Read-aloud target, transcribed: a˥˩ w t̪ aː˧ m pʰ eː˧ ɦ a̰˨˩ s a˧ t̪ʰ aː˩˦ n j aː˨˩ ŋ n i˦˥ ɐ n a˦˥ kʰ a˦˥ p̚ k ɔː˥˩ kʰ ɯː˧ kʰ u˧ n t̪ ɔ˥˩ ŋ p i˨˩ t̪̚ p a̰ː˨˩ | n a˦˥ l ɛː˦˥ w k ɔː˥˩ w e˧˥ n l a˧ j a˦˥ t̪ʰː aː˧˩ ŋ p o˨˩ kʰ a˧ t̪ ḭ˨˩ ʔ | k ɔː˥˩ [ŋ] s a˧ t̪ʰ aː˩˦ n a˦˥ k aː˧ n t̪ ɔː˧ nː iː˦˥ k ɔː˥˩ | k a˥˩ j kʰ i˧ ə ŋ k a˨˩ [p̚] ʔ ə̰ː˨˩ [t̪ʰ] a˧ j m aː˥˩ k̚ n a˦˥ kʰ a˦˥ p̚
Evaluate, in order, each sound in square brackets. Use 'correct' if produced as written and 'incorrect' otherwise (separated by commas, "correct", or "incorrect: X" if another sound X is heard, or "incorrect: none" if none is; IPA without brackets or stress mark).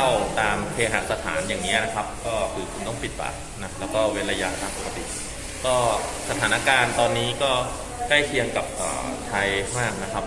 incorrect: none, correct, correct